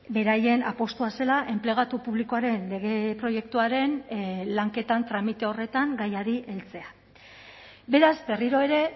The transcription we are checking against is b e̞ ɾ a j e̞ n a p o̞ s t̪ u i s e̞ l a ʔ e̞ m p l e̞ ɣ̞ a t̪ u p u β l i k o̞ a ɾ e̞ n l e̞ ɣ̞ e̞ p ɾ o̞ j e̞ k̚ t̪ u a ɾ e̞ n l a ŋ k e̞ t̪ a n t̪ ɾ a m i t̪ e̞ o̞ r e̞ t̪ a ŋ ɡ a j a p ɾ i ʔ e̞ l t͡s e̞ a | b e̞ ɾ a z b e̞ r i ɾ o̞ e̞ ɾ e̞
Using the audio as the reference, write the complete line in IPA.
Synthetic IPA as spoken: b e̞ ɾ a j e̞ n a p o̞ s t̪ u a s e̞ l a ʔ e̞ m p l e̞ ɣ̞ a t̪ u p u β l i k o̞ a ɾ e̞ n l e̞ ɣ̞ e̞ p ɾ o̞ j e̞ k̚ t̪ u a ɾ e̞ n l a ŋ k e̞ t̪ a n t̪ ɾ a m i t̪ e̞ o̞ r e̞ t̪ a ŋ ɡ a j a ɾ i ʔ e̞ l t͡s e̞ a | b e̞ ɾ a z b e̞ r i ɾ o̞ e̞ ɾ e̞

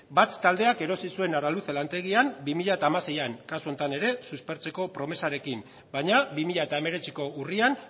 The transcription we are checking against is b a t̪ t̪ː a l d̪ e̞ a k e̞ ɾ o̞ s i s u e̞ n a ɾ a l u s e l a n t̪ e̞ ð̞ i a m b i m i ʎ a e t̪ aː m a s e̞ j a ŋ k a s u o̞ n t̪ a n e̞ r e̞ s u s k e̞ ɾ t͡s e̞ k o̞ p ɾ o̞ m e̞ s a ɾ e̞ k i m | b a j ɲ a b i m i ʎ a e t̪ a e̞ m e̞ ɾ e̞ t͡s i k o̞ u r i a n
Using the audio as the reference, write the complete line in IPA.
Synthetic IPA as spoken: b a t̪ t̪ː a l d̪ e̞ a k e̞ ɾ o̞ s i s u e̞ n a ɾ a l u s e l a n t̪ e̞ ɣ̞ i a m b i m i ʎ a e t̪ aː m a s e̞ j a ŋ k a s u o̞ n t̪ a n e̞ ɾ e̞ s u s p e̞ ɾ t͡s e̞ k o̞ p ɾ o̞ m e̞ s a ɾ e̞ k i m | b a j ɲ a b i m i ʎ a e t̪ a e̞ m e̞ ɾ e̞ t͡s i k o̞ u r i a n

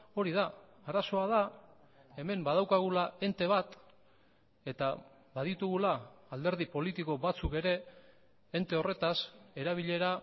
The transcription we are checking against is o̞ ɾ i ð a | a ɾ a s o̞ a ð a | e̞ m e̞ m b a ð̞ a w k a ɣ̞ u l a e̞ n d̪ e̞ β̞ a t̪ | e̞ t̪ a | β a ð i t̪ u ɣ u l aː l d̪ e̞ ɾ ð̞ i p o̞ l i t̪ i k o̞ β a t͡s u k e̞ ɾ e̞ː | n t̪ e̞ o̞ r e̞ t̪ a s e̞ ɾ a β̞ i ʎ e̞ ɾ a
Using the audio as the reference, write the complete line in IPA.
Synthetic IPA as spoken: o̞ ɾ i ð a | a ɾ a s o̞ a ð a | e̞ m e̞ m b a ð̞ a w k a ɣ̞ u l a e̞ n t̪ e̞ β̞ a t̪ | e̞ t̪ a | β a ð i t̪ u ɣ u l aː l d̪ e̞ ɾ ð̞ i p o̞ l i t̪ i k o̞ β a t͡s u k e̞ ɾ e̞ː | n t̪ e̞ o̞ r e̞ t̪ a s e̞ ɾ a β̞ i ʎ e̞ ɾ a

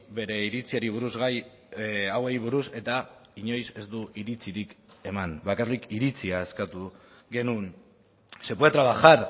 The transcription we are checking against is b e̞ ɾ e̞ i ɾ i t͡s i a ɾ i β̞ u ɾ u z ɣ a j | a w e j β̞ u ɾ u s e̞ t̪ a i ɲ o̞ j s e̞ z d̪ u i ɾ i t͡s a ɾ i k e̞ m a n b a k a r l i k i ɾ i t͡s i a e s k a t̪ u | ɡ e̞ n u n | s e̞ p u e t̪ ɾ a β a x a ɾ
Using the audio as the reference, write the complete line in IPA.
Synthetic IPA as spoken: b e̞ ɾ e̞ i ɾ i t͡s i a ɾ i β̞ u ɾ u z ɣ a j | a w e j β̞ u ɾ u s e̞ t̪ a i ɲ o̞ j s e̞ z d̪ u i ɾ i t͡s i ɾ i k e̞ m a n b a k a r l i k i ɾ i t͡s i a e s k a t̪ u | ɡ e̞ n u n | s e̞ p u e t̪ ɾ a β a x a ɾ

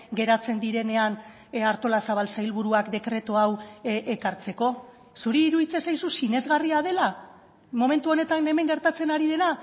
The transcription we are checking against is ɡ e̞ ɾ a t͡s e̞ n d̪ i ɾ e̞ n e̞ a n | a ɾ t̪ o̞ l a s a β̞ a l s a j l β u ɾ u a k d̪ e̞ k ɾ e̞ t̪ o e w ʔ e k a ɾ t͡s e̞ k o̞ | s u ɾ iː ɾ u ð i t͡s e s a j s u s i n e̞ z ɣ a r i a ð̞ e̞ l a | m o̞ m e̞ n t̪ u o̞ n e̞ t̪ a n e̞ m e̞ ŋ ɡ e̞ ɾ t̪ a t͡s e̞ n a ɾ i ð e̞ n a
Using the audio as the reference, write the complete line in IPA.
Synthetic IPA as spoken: ɡ e̞ ɾ a t͡s e̞ n d̪ i ɾ e̞ n e̞ a n | a ɾ t̪ o̞ l a s a β̞ a l s a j l β u ɾ u a k d̪ e̞ k ɾ e̞ t̪ o a w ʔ e k a ɾ t͡s e̞ k o̞ | s u ɾ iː ɾ u ð i t͡s e s a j s u s i n e̞ z ɣ a r i a ð̞ e̞ l a | m o̞ m e̞ n t̪ u o̞ n e̞ t̪ a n e̞ m e̞ ŋ ɡ e̞ ɾ t̪ a t͡s e̞ n a ɾ i ð e̞ n a

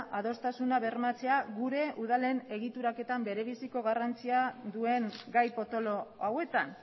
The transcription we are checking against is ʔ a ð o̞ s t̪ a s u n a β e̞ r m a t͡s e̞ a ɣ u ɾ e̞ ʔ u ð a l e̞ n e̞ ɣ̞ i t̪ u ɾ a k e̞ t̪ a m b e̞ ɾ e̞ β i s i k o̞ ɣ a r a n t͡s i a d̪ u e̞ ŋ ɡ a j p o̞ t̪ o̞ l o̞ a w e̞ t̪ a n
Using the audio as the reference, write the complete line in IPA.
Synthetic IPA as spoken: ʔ a ð o̞ s t̪ a s u n a β e̞ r m a t͡s e̞ a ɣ u ɾ e̞ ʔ u ð a l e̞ n e̞ ɣ̞ i t̪ u ɾ a k e̞ t̪ a m b e̞ ɾ e̞ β i s i k o̞ ɣ a r a n t͡s i a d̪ u e̞ ŋ ɡ a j p o̞ t̪ o̞ l o̞ a w e̞ t̪ a n

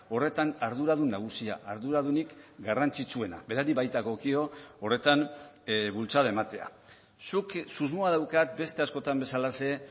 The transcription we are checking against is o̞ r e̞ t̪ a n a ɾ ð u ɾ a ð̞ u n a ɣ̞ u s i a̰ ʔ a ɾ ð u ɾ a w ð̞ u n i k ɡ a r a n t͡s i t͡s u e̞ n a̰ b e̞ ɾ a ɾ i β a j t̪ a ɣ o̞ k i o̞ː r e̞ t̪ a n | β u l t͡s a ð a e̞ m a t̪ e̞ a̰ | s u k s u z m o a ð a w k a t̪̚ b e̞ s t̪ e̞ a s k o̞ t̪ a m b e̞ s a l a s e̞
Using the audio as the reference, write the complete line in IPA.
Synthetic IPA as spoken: o̞ r e̞ t̪ a n a ɾ ð u ɾ a ð̞ u n a ɣ̞ u s i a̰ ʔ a ɾ ð u ɾ a ð̞ u n i k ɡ a r a n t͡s i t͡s u e̞ n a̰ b e̞ ɾ a ɾ i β a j t̪ a ɣ o̞ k i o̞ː r e̞ t̪ a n | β u l t͡s a ð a e̞ m a t̪ e̞ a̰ | s u k s u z m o a ð a w k a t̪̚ b e̞ s t̪ e̞ a s k o̞ t̪ a m b e̞ s a l a s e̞

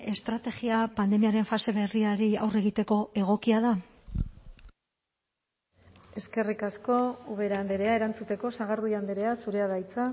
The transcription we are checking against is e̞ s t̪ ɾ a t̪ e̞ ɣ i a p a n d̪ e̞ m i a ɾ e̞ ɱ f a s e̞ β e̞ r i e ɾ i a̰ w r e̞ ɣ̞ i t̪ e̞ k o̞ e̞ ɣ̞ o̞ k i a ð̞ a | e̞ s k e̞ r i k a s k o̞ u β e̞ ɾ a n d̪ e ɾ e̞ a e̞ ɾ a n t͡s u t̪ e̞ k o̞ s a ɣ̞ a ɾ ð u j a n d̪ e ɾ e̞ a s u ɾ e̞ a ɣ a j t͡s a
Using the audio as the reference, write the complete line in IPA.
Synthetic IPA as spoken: e̞ s t̪ ɾ a t̪ e̞ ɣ i a p a n d̪ e̞ m i a ɾ e̞ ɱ f a s e̞ β e̞ r i a ɾ i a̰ w r e̞ ɣ̞ i t̪ e̞ k o̞ e̞ ɣ̞ o̞ k i a ð̞ a | e̞ s k e̞ r i k a s k o̞ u β e̞ ɾ a n d̪ e ɾ e̞ a e̞ ɾ a n t͡s u t̪ e̞ k o̞ s a ɣ̞ a ɾ ð u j a n d̪ e ɾ e̞ a s u ɾ e̞ a ð a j t͡s a

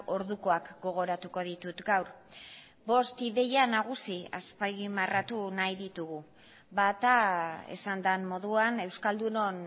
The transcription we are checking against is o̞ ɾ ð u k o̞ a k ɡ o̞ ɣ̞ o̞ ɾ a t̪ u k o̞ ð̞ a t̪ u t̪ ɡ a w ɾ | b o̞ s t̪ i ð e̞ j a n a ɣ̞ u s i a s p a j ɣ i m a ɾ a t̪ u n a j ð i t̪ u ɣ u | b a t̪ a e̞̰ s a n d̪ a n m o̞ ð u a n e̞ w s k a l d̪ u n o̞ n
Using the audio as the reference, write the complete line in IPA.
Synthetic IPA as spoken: o̞ ɾ ð u k o̞ a k ɡ o̞ ɣ̞ o̞ ɾ a t̪ u k o̞ ð̞ i t̪ u t̪ ɡ a w ɾ | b o̞ s t̪ i ð e̞ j a n a ɣ̞ u s i a s p a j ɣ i m a r a t̪ u n a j ð i t̪ u ɣ u | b a t̪ a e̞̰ s a n d̪ a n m o̞ ð u a n e̞ w s k a l d̪ u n o̞ n

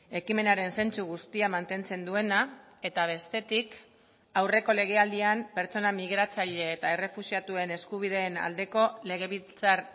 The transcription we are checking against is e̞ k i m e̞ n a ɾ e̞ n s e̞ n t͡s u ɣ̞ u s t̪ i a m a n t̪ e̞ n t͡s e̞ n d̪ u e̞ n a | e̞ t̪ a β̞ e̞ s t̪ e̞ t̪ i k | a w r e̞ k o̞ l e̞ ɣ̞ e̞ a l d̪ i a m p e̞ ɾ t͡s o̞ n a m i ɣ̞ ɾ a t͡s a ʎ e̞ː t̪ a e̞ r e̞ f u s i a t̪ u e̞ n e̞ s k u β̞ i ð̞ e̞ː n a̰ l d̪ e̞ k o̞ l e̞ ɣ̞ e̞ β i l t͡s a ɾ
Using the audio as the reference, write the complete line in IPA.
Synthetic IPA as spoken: e̞ k i m e̞ n a ɾ e̞ n s e̞ n t͡s u ɣ̞ u s t̪ i a m a n t̪ e̞ n t͡s e̞ n d̪ u e̞ n a | e̞ t̪ a β̞ e̞ s t̪ e̞ t̪ i k | a w r e̞ k o̞ l e̞ ɣ̞ e̞ a l d̪ i a m p e̞ ɾ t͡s o̞ n a m i ɣ̞ ɾ a t͡s a ʎ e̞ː t̪ a e̞ r e̞ f u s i a t̪ u e̞ n e̞ s k u β̞ i ð̞ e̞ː n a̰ l d̪ e̞ k o̞ l e̞ ɣ̞ e̞ β i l t͡s a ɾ

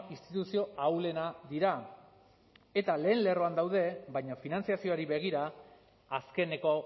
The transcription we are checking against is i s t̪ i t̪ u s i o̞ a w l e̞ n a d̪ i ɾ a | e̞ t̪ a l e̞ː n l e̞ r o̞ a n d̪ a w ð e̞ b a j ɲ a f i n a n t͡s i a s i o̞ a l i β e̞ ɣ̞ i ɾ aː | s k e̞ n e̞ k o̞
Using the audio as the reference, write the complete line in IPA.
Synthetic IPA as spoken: i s t̪ i t̪ u s i o̞ a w l e̞ n a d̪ i ɾ a | e̞ t̪ a l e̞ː n l e̞ r o̞ a n d̪ a w ð e̞ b a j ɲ a f i n a n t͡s i a s i o̞ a ɾ i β e̞ ɣ̞ i ɾ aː | s k e̞ n e̞ k o̞

